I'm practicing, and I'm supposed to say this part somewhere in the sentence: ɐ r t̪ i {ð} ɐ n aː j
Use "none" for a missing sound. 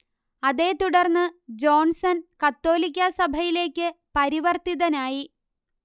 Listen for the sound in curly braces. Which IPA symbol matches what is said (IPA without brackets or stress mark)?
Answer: ð